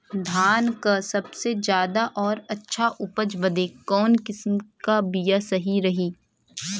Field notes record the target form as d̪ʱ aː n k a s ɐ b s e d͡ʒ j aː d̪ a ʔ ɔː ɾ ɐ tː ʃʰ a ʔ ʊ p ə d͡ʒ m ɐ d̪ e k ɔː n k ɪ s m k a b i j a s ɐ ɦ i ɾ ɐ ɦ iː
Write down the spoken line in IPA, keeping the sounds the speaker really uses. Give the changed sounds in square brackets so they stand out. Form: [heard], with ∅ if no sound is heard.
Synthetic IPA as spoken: d̪ʱ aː n k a s ɐ b s e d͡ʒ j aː d̪ a ʔ ɔː ɾ ɐ tː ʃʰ a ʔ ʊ p ə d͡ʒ [b] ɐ d̪ e k ɔː n k ɪ s m k a b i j a s ɐ ɦ i ɾ ɐ ɦ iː